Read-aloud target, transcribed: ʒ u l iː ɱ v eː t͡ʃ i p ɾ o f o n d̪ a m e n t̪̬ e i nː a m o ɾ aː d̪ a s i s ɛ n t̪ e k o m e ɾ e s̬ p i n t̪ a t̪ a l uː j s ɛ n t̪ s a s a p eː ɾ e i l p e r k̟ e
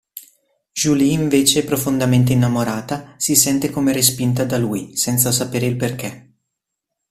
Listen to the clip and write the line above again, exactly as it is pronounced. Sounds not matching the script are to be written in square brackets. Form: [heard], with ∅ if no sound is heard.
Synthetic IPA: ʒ u l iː ɱ v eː t͡ʃ [e] p ɾ o f o n d̪ a m e n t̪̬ e i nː a m o ɾ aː [t̪] a s i s ɛ n t̪ e k o m e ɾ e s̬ p i n t̪ a [d̪] a l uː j s ɛ n t̪ s a s a p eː ɾ e i l p e r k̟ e